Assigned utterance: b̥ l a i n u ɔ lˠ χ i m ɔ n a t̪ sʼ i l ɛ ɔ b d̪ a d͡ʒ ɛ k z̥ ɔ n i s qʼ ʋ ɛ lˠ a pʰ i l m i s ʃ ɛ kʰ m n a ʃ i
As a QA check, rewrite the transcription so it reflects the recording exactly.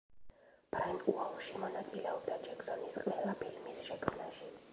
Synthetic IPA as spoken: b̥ ɾ a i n u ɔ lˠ ʃ i m ɔ n a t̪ sʼ i l ɛ ɔ b d̪ a d͡ʒ ɛ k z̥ ɔ n i s qʼ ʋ ɛ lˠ a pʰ i l m i s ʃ ɛ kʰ m n a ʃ i